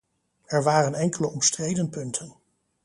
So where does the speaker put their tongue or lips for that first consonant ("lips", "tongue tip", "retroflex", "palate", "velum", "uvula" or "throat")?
tongue tip